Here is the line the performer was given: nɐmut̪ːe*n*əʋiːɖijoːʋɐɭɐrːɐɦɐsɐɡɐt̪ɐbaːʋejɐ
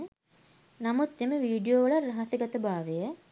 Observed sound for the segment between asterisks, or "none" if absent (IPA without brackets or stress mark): m